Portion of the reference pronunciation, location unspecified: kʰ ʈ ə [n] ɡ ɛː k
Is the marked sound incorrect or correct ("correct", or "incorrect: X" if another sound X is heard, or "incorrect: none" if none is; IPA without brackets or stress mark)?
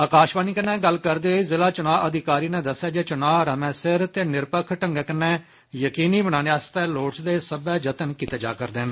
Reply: incorrect: ŋ